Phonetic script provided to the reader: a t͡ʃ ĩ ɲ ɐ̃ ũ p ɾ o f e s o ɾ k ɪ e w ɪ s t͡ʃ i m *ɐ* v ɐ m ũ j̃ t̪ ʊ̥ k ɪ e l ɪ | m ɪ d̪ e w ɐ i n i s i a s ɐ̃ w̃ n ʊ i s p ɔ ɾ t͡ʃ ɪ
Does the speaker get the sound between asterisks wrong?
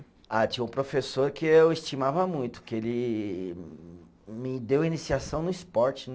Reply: yes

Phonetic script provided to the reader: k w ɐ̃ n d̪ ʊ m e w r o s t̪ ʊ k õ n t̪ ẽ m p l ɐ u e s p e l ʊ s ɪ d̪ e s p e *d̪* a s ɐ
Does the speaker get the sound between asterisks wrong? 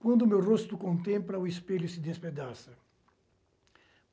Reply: no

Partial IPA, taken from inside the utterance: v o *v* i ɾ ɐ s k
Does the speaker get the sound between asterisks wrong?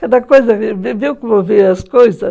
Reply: no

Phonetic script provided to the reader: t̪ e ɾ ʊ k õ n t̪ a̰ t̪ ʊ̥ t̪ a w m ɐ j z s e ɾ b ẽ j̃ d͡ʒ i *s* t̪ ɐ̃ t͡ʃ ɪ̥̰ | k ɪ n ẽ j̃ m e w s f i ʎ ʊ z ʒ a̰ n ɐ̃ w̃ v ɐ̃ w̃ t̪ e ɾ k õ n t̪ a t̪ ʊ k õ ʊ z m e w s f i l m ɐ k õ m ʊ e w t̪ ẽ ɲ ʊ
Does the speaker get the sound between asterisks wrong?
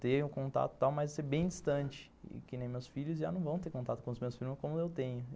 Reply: no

